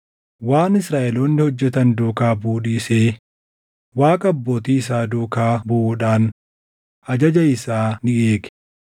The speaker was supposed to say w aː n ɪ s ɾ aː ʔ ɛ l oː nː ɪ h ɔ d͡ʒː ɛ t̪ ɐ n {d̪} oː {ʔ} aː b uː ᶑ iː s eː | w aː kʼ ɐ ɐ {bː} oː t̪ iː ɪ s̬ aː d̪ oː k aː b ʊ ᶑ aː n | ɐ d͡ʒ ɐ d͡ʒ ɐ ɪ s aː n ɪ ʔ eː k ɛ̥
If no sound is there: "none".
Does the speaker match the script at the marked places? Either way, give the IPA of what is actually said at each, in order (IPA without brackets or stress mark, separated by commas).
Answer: d̪, k, bː